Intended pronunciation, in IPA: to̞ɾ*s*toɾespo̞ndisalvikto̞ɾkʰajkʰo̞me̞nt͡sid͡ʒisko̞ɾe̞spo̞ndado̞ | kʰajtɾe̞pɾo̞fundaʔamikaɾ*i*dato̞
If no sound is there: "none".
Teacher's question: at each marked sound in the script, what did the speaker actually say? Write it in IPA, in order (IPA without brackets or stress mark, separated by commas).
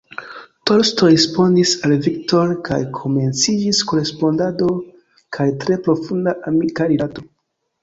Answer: s, i